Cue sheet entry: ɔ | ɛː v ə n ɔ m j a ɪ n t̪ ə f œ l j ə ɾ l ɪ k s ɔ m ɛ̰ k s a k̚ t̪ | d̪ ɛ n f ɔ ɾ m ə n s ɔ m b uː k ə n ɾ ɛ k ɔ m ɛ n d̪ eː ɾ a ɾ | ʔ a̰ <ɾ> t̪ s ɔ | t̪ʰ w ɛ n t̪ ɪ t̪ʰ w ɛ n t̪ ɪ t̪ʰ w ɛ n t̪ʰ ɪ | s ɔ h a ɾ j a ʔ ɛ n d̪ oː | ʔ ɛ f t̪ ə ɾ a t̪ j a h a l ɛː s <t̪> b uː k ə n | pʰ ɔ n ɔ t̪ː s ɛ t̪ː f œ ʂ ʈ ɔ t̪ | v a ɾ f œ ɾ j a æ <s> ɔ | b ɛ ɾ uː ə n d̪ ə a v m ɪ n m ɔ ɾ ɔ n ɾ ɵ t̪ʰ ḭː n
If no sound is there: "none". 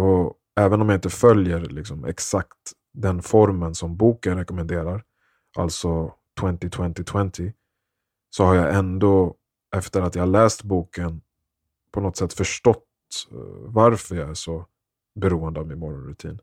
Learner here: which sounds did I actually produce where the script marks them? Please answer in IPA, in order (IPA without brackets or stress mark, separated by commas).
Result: l, t̪, ʂ